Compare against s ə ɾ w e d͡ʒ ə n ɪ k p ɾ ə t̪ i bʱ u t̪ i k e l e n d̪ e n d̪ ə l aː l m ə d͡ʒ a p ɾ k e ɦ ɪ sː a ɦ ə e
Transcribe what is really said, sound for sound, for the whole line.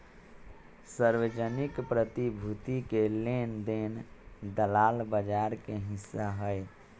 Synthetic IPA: s ə ɾ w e d͡ʒ ə n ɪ k p ɾ ə t̪ i bʱ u t̪ i k e l e n d̪ e n d̪ ə l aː l b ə d͡ʒ a ɾ k e ɦ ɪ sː a ɦ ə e